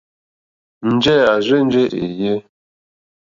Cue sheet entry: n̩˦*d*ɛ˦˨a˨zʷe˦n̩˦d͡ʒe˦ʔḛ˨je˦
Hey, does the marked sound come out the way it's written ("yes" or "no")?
no